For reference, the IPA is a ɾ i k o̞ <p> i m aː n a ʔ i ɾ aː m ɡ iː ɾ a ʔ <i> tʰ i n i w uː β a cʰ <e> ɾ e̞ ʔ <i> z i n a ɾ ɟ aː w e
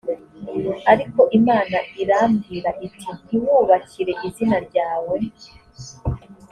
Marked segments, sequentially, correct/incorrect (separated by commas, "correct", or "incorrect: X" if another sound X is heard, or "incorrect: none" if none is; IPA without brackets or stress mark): incorrect: ʔ, correct, incorrect: i, correct